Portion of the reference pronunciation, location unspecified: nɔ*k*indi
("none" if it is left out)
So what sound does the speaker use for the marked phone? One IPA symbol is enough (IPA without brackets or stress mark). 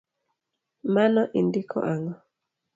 ʔ